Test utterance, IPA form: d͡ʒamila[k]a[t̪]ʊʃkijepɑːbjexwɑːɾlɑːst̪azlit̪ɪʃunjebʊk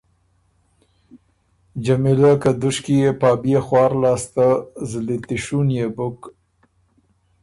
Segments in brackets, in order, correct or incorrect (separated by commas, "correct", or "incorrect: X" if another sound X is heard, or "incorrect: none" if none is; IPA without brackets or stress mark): correct, incorrect: d̪